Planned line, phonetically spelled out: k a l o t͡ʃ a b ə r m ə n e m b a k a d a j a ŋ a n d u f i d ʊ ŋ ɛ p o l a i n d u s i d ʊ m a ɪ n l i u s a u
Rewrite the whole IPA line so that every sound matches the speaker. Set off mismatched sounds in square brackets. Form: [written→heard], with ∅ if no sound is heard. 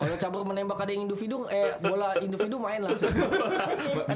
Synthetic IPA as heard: k a l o t͡ʃ a b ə r m ə n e m b a k a d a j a ŋ [a→i] n d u f i d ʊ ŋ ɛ [p→b] o l a i n d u [s→f] i d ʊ m a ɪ n l [i→a] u s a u